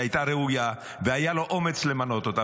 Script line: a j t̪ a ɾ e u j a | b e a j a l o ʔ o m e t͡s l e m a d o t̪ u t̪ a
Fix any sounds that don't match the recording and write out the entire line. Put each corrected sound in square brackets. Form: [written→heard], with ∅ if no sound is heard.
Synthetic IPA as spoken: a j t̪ a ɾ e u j a | [b→v] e a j a l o ʔ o m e t͡s l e m a [d→n] o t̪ [u→o] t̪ a